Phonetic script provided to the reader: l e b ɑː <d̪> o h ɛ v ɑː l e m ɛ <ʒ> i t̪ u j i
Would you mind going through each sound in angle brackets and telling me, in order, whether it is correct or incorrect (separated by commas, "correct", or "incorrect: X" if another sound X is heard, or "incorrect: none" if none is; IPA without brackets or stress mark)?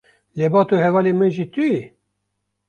incorrect: t̪, correct